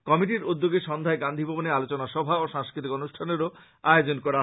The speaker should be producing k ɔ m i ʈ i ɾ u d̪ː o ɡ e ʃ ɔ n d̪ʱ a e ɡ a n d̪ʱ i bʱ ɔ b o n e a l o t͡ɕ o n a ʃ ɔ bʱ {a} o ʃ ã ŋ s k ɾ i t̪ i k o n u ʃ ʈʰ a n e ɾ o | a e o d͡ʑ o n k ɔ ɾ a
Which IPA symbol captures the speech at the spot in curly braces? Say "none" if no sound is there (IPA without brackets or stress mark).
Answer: a